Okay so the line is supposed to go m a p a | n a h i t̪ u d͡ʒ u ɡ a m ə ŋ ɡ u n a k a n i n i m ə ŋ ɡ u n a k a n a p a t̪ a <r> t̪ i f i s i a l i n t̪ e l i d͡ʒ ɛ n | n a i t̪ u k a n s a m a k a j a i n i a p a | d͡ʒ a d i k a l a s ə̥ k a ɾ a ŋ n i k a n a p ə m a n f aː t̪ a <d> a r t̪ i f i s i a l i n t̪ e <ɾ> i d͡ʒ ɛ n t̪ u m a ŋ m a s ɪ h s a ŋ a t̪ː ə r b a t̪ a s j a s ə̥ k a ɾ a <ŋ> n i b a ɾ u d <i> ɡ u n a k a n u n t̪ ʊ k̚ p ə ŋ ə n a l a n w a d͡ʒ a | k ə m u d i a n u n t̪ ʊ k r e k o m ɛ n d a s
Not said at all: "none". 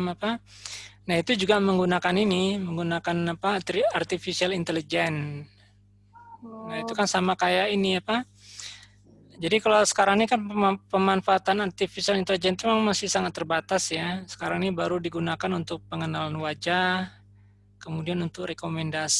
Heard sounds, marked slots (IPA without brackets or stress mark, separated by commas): r, n, l, ŋ, i